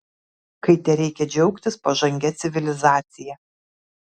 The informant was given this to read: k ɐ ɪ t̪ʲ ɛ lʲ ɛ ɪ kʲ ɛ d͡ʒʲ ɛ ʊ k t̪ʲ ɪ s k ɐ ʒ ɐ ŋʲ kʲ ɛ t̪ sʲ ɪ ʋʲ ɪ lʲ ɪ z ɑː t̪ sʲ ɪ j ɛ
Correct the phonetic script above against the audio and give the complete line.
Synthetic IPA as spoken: k ɐ ɪ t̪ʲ ɛ ɾʲ ɛ ɪ kʲ ɛ d͡ʒʲ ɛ ʊ k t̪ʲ ɪ s p ɐ ʒ ɐ ŋʲ ɡʲ ɛ t̪ sʲ ɪ ʋʲ ɪ lʲ ɪ z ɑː t̪ sʲ ɪ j ɛ